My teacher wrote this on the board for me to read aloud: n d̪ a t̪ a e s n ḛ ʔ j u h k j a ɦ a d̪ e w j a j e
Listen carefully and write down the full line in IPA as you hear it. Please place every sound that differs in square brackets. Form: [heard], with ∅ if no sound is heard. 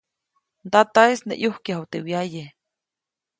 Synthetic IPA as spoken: n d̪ a t̪ a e s n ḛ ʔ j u h k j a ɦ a [t̪] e w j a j e